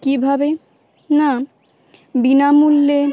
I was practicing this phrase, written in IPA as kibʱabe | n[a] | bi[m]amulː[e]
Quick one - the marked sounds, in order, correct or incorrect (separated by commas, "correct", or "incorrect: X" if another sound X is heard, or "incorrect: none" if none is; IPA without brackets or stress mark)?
correct, incorrect: n, correct